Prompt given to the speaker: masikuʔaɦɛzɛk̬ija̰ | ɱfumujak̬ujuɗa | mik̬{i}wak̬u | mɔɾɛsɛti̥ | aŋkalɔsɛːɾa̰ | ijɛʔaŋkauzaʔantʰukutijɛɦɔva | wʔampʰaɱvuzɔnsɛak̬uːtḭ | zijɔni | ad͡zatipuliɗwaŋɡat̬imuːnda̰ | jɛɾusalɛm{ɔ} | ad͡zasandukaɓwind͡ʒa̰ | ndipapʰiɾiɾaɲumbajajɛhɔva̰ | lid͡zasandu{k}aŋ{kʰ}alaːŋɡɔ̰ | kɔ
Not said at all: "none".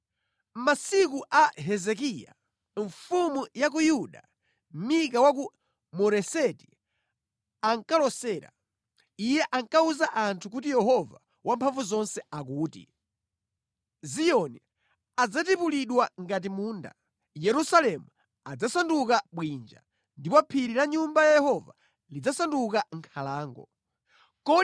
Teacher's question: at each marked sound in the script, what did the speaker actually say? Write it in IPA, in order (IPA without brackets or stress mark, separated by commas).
a, u, k, kʰ